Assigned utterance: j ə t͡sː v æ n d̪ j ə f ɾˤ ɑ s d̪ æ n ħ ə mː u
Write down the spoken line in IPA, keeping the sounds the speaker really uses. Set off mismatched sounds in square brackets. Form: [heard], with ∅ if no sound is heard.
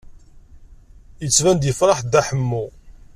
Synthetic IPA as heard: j ə t͡sː v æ n d̪ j ə f ɾˤ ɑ [ħ] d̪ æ [∅] ħ ə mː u

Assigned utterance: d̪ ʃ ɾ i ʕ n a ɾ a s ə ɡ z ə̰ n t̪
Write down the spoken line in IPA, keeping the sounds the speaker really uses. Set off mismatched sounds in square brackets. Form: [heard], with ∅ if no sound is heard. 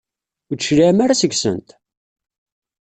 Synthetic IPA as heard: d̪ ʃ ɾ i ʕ [m] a ɾ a s ə ɡ [s] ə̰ n t̪

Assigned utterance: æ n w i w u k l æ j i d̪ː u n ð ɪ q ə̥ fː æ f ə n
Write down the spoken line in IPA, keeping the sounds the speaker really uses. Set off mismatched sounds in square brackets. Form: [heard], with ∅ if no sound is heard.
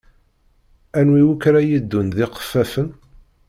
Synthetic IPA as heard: æ n w i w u k [ɾ] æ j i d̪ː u n ð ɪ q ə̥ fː æ f ə n

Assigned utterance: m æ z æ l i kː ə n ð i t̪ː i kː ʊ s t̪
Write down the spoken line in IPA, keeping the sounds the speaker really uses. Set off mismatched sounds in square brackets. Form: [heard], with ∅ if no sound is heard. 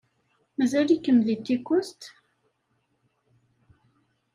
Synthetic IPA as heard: m æ z æ l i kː ə [m] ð i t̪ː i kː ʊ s t̪

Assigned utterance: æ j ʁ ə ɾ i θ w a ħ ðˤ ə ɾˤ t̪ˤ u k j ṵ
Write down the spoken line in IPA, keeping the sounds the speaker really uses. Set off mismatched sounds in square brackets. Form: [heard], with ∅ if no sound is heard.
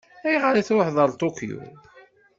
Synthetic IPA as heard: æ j ʁ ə ɾ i θ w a ħ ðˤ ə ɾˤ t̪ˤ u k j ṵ

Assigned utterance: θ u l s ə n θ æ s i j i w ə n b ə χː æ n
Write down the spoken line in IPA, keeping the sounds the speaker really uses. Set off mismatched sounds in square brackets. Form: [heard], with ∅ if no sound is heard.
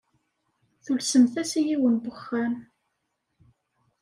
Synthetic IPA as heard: θ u l s ə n θ æ s i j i w ə n b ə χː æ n

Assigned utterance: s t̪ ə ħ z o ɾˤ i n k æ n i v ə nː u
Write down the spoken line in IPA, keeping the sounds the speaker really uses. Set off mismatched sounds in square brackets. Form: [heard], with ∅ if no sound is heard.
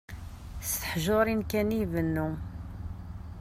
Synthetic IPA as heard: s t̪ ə ħ [ʒ] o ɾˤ i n k æ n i v ə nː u

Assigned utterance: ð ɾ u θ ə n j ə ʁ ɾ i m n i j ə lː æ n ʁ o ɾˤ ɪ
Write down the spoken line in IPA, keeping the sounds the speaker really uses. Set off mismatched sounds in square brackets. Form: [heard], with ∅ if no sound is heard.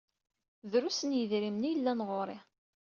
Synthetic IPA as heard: ð ɾ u [s] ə n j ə [ð] ɾ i m n i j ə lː æ n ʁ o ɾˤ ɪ

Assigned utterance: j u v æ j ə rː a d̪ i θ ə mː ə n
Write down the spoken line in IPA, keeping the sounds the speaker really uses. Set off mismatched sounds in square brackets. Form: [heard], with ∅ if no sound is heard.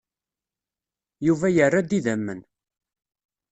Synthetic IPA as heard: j u v æ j ə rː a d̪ i [ð] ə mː ə n

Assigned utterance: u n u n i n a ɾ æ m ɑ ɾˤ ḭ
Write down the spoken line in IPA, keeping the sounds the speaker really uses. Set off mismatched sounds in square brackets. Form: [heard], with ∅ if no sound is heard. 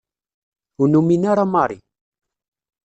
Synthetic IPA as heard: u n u [m] i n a ɾ [a] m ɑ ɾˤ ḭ

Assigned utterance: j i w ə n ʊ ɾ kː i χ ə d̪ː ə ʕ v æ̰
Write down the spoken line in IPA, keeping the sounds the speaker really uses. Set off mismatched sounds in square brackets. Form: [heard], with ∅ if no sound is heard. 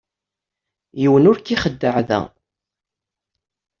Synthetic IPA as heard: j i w ə n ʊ ɾ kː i χ ə d̪ː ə ʕ [ð] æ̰

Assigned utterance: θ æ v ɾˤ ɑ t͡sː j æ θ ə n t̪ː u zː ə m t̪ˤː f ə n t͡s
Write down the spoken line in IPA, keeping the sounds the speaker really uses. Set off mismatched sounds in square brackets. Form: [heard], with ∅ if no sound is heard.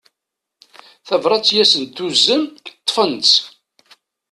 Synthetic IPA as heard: θ æ v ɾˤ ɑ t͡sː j æ [s] ə n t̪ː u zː ə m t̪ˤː f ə n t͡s

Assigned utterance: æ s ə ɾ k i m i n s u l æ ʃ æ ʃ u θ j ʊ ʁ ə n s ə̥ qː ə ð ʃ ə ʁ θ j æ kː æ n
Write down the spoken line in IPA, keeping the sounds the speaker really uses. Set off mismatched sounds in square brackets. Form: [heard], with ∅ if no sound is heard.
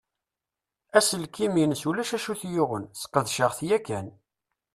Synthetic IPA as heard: æ s ə [l] k i m i n s u l æ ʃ æ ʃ u θ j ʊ ʁ ə n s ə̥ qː ə ð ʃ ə ʁ θ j æ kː æ n

